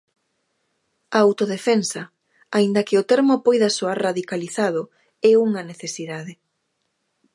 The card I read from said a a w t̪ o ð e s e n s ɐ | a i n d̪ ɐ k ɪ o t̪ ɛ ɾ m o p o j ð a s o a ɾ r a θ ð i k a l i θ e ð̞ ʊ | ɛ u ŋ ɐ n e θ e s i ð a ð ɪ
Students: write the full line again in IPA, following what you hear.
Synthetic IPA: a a w t̪ o ð e f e n s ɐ | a i n d̪ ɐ k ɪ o t̪ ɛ ɾ m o p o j ð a s o a ɾ r a ð i k a l i θ a ð̞ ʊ | ɛ u ŋ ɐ n e θ e s i ð a ð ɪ